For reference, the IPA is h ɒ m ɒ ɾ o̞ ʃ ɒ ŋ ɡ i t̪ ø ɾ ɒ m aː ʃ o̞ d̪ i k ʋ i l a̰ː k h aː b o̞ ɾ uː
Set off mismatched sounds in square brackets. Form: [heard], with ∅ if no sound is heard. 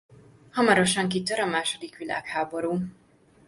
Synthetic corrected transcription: h ɒ m ɒ ɾ o̞ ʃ ɒ ŋ [k] i t̪ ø ɾ ɒ m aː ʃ o̞ d̪ i k ʋ i l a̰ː k h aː b o̞ ɾ uː